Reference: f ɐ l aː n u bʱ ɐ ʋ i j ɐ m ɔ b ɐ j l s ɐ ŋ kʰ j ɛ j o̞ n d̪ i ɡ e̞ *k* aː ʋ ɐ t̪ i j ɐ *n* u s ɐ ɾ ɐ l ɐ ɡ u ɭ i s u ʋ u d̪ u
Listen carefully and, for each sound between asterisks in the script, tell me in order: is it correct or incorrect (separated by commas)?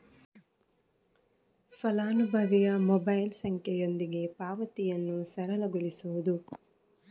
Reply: incorrect, incorrect